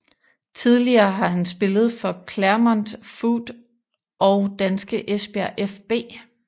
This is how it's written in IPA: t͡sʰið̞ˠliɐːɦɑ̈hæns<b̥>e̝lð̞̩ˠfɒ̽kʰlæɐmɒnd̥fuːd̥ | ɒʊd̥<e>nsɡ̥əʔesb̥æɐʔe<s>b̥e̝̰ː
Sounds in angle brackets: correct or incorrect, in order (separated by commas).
correct, incorrect, incorrect